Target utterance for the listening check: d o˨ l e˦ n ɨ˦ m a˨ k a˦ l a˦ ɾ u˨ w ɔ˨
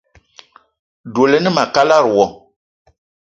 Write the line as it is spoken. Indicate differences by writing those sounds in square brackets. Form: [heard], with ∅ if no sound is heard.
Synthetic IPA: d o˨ l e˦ n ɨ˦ m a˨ k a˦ l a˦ ɾ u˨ w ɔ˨

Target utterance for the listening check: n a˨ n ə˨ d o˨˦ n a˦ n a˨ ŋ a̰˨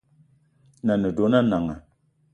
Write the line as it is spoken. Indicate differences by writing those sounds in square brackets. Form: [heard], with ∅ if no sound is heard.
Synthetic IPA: n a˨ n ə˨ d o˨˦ n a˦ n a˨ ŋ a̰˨

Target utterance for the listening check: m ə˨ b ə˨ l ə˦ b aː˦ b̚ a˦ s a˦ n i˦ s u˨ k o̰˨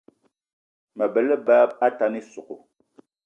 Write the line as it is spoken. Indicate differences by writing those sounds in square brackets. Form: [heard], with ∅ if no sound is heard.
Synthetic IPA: m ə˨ b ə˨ l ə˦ b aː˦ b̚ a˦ [t] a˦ n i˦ s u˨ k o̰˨

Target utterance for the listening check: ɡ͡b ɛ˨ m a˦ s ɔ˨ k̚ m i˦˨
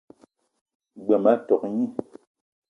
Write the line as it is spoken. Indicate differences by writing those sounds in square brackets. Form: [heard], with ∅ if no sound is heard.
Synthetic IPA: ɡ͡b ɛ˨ m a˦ [t] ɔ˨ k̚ [ɲ] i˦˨

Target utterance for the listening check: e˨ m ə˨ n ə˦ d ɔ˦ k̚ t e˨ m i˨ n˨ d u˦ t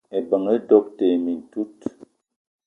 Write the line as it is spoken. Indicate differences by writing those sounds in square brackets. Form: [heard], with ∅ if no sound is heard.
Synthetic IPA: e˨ [b] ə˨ [ŋ] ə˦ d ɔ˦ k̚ t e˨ m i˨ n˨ [t] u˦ t

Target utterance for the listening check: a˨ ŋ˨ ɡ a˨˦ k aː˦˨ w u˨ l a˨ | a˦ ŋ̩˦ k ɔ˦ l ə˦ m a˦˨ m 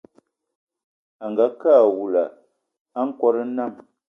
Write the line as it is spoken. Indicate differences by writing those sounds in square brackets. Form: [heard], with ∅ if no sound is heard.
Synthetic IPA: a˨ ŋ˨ ɡ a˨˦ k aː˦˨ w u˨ l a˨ | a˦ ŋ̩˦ k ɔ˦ [ɾ] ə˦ [n] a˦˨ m

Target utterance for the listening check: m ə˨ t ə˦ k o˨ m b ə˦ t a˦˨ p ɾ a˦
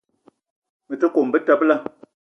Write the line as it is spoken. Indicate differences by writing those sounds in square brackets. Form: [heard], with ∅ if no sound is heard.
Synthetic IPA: m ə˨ t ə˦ k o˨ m b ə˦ t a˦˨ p [l] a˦

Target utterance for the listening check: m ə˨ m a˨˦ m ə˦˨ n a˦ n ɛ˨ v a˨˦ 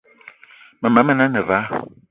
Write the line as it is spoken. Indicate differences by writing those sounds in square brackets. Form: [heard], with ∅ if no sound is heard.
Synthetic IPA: m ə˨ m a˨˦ m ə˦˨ n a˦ n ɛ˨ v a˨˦

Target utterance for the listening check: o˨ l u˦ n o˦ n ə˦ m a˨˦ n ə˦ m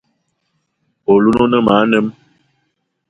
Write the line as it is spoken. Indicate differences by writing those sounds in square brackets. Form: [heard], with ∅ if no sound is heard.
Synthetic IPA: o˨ l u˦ n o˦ n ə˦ m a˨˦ n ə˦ m

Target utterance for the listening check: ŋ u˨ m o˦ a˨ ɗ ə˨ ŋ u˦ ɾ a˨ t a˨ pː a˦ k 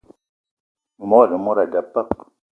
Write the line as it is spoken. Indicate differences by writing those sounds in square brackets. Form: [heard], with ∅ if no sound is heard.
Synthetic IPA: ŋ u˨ m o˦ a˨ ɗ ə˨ [m] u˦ ɾ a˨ [d] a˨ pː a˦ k

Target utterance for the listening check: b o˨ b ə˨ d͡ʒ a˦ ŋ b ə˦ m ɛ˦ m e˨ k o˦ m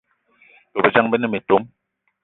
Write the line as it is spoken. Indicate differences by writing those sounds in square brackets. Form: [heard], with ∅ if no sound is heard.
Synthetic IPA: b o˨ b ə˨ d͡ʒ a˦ ŋ b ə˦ [n] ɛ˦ m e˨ [t] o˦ m

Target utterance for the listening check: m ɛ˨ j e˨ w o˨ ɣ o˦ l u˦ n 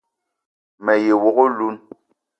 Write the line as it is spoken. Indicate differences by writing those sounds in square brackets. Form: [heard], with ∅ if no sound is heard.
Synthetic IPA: m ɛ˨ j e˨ w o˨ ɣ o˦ l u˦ n

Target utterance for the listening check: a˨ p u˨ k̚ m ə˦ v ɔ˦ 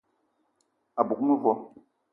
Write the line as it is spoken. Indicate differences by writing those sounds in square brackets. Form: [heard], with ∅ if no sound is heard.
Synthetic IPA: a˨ [b] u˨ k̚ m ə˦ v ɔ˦

